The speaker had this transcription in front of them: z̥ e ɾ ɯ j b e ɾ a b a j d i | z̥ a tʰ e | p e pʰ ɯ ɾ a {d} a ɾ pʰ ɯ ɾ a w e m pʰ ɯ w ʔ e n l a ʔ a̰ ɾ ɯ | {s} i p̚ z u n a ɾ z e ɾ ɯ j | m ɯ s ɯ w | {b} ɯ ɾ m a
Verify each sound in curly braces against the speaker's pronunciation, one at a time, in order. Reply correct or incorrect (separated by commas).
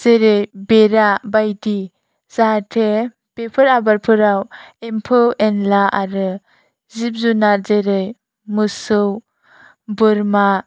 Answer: incorrect, incorrect, correct